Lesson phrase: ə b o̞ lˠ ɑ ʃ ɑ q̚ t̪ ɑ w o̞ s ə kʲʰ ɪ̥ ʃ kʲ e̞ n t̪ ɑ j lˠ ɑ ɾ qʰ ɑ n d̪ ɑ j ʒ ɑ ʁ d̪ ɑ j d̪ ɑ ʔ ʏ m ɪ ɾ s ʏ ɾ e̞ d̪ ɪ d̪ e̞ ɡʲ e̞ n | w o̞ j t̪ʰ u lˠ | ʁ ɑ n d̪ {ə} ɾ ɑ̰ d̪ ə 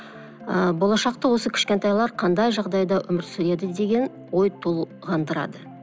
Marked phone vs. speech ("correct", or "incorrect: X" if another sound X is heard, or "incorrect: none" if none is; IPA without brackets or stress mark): correct